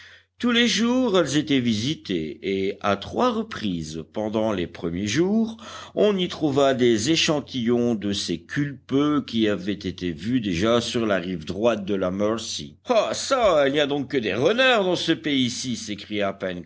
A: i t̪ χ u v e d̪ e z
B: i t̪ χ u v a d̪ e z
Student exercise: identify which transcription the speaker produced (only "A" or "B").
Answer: B